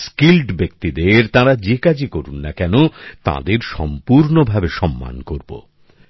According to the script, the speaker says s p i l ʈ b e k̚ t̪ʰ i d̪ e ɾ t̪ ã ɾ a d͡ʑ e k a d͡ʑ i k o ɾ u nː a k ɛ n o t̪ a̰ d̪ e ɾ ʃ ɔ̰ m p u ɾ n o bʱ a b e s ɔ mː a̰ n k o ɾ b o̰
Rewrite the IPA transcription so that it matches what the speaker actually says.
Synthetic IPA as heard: s k i l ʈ b e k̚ t̪ i d̪ e ɾ t̪ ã ɾ a d͡ʑ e k a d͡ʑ i k o ɾ u nː a k ɛ n o t̪ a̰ d̪ e ɾ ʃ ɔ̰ m p u ɾ n o bʱ a b e ʃ ɔ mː a̰ n k o ɾ b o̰